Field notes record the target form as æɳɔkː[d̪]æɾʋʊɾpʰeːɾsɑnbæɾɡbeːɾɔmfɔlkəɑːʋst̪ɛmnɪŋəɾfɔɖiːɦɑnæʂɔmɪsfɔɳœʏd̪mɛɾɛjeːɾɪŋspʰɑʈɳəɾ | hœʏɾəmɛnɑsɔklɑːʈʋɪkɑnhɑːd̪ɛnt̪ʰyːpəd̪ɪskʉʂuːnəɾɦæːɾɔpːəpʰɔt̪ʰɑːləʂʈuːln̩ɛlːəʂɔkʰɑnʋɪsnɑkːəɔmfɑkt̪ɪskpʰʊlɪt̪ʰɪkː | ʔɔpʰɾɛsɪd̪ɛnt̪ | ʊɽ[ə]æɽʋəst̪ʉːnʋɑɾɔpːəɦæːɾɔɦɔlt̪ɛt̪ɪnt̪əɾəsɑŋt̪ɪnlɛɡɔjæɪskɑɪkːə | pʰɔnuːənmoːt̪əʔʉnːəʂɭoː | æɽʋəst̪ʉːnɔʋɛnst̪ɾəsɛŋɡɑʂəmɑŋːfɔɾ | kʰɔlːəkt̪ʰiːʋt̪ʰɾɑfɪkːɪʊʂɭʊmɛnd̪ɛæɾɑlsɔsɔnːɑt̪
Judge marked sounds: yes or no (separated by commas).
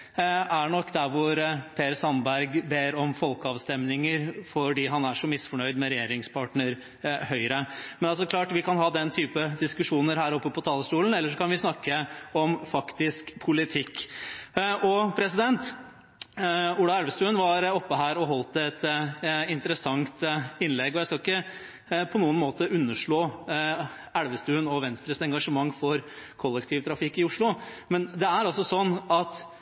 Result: yes, no